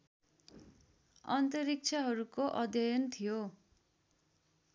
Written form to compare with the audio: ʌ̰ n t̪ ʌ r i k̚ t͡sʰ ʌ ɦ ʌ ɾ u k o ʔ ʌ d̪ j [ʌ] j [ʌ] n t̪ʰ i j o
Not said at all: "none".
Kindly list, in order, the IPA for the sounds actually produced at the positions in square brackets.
ʌ, ʌ

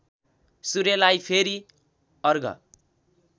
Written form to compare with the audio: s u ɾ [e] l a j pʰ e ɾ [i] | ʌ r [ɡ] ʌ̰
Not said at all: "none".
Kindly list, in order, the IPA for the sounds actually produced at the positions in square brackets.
e, i, ɡ

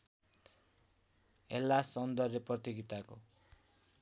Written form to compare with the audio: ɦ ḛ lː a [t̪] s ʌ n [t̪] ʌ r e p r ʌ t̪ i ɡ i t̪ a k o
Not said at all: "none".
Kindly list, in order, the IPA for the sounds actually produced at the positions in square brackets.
none, d̪

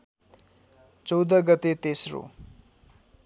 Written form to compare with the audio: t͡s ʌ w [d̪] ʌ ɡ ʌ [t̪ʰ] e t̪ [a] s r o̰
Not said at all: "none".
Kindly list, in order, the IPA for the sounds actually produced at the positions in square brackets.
d̪, t̪, e

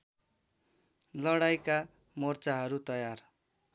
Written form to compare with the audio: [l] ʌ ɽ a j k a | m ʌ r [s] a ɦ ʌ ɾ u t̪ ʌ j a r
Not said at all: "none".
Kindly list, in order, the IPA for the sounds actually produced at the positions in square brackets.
l, t͡s

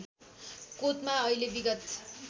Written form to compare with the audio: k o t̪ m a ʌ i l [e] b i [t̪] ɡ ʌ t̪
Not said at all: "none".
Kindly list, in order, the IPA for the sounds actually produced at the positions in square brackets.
e, none

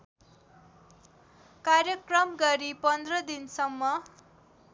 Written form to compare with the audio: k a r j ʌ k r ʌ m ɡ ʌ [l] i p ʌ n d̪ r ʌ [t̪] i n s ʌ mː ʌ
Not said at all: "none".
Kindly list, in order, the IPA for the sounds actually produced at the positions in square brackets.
ɾ, d̪

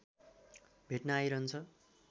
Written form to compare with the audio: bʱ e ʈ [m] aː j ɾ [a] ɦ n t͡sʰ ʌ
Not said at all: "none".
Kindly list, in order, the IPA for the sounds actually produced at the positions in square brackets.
n, ʌ

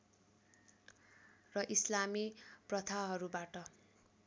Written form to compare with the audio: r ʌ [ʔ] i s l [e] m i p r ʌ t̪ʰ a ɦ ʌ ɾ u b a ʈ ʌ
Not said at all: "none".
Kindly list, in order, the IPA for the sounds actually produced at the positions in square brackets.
ʔ, a

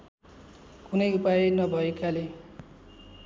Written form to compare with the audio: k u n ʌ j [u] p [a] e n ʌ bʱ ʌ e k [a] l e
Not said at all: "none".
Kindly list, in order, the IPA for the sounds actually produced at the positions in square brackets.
u, a, a

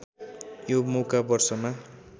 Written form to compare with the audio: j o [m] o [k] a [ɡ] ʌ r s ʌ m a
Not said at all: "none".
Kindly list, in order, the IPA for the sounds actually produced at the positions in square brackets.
m, k, b

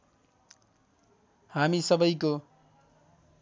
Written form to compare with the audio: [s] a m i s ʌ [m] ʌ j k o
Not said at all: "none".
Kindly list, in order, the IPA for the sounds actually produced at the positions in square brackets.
h, b

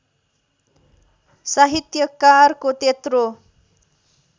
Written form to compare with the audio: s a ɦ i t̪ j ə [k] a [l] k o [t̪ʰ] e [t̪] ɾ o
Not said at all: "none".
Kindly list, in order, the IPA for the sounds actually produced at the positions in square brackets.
k, r, t̪, t̪

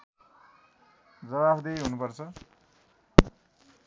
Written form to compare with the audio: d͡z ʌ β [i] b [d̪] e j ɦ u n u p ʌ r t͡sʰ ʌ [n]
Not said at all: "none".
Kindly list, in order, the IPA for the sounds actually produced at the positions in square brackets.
a, d̪, none

